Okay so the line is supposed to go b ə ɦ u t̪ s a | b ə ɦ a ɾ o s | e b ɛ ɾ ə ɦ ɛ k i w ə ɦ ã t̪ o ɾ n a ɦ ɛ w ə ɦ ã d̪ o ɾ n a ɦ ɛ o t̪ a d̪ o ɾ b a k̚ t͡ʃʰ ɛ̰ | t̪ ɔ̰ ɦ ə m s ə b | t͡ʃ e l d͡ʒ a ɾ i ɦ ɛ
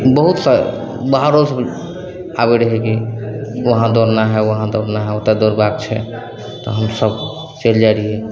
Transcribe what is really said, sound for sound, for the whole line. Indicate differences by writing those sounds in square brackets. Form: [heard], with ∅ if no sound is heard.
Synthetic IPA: b ə ɦ u t̪ s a | b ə ɦ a ɾ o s | [a] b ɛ ɾ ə ɦ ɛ k i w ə ɦ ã [d̪] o ɾ n a ɦ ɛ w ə ɦ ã d̪ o ɾ n a ɦ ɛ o t̪ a d̪ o ɾ b a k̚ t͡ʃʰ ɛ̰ | t̪ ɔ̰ ɦ ə m s ə b | t͡ʃ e l d͡ʒ a ɾ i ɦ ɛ